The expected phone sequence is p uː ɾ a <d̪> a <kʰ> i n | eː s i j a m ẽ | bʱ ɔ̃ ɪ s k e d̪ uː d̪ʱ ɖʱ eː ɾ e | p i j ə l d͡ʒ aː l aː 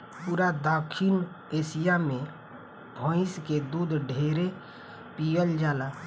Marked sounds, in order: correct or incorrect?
correct, correct

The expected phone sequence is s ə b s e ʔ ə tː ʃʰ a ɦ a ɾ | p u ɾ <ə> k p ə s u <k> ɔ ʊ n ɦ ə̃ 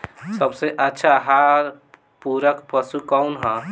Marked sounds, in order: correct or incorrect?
correct, correct

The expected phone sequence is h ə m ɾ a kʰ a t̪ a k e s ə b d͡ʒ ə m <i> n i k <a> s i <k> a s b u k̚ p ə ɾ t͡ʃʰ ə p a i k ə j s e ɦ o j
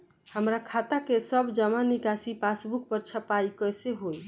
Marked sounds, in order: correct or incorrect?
incorrect: a, correct, incorrect: p

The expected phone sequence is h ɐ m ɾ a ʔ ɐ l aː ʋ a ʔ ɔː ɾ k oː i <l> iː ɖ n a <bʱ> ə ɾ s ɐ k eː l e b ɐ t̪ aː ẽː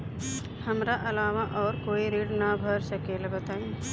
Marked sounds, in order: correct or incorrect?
incorrect: ɾ, correct

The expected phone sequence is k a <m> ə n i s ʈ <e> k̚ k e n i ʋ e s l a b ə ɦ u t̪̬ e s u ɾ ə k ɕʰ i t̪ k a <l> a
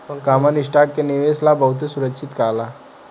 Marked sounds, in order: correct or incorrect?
correct, incorrect: a, correct

